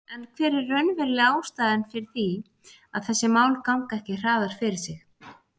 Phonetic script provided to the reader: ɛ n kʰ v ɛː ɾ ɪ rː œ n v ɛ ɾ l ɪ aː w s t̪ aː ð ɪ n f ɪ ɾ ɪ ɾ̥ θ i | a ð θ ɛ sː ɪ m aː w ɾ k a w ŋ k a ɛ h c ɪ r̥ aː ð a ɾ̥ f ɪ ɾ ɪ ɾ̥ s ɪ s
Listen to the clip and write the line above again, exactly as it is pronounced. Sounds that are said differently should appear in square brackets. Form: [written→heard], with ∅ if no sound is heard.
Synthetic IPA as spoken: ɛ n kʰ v ɛː ɾ ɪ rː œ n v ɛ ɾ l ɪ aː w s t̪ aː ð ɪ n f ɪ ɾ ɪ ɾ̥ θ i | a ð θ ɛ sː ɪ m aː w [ɾ→l] k a w ŋ k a ɛ h c ɪ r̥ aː ð a ɾ̥ f ɪ ɾ ɪ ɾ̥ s ɪ [s→x]